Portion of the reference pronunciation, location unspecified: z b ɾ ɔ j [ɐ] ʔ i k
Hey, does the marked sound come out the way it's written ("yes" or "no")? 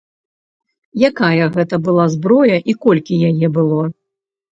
yes